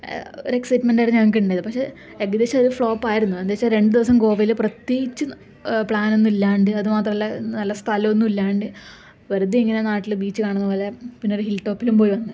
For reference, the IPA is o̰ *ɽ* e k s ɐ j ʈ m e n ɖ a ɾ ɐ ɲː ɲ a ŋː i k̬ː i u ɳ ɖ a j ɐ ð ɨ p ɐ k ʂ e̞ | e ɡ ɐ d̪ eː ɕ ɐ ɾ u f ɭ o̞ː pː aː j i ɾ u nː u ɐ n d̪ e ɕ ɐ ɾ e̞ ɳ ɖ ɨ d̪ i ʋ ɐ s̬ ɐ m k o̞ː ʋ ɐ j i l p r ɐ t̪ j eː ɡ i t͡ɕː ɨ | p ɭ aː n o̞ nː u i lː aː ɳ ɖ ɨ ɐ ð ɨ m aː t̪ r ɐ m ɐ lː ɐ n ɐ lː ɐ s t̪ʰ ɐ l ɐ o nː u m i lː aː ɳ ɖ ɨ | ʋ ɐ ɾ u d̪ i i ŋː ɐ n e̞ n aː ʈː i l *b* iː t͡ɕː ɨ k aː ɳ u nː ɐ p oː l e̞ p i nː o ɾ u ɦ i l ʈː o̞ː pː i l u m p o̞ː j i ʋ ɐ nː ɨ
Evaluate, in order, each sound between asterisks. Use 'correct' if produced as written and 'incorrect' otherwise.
incorrect: ɾ, correct

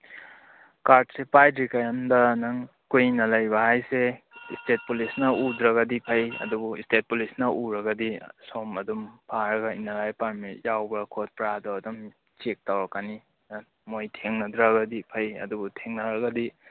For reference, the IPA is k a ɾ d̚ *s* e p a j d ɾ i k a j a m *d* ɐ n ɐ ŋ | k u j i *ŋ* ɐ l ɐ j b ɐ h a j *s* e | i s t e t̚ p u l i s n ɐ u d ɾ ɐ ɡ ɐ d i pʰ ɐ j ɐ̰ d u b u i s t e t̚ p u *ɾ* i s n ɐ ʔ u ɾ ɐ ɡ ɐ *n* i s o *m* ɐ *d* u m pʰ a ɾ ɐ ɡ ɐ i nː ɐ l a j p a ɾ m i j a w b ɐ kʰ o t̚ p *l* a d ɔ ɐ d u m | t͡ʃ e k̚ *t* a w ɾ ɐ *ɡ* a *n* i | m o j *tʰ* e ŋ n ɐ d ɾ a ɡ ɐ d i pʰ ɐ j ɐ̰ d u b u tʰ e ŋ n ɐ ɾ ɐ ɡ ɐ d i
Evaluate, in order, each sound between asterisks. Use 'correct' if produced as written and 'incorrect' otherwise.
correct, correct, incorrect: n, correct, incorrect: l, incorrect: d, correct, correct, incorrect: ɾ, correct, incorrect: k, correct, correct

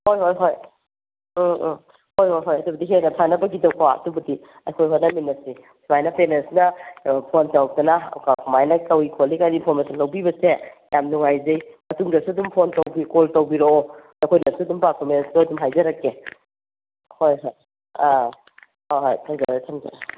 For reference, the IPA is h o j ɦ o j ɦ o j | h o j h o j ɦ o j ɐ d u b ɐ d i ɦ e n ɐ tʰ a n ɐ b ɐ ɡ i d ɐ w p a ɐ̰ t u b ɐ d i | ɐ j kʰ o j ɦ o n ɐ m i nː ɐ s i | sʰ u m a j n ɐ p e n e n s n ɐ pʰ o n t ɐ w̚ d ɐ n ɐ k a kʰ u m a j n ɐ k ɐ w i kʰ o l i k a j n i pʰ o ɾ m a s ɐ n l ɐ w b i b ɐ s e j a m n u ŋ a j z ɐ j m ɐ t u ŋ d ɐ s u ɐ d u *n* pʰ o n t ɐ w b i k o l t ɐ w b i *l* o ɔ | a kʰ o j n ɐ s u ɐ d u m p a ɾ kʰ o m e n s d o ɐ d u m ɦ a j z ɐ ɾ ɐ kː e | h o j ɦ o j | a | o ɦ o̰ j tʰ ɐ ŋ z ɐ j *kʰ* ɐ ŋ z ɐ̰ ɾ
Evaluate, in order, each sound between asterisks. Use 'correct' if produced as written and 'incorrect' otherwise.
incorrect: m, incorrect: ɾ, incorrect: tʰ

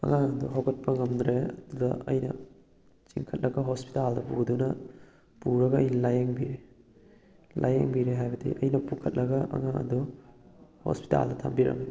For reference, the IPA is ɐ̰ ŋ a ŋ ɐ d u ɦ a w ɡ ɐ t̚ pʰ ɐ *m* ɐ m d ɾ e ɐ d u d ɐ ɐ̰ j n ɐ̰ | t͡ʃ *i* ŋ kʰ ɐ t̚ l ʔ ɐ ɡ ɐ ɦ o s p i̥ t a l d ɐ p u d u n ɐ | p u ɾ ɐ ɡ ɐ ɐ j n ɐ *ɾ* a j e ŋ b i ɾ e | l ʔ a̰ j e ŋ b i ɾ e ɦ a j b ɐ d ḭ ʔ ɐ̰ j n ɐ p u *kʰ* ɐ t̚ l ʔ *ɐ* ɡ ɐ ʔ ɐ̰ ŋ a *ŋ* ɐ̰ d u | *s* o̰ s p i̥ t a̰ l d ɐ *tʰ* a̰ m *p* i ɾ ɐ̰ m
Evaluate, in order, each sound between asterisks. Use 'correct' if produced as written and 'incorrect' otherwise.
incorrect: ŋ, correct, incorrect: l, correct, correct, correct, incorrect: h, correct, incorrect: b

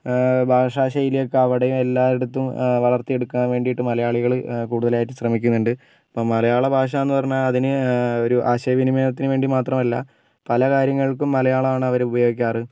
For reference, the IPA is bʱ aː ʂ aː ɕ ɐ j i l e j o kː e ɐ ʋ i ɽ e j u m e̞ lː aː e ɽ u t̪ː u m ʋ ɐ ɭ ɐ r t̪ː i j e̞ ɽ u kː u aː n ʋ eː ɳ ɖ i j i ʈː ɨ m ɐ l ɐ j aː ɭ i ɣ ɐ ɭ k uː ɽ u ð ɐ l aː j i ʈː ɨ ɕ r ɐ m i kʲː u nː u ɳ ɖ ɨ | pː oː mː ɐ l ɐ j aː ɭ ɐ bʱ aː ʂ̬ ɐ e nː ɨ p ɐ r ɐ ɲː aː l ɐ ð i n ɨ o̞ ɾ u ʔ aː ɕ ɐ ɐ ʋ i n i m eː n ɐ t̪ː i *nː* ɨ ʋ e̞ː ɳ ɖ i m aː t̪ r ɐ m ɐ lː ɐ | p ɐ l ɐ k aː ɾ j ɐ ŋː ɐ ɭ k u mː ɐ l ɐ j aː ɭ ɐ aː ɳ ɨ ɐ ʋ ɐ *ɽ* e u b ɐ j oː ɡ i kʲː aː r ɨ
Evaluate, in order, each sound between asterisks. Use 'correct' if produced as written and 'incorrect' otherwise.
incorrect: n, incorrect: ɾ

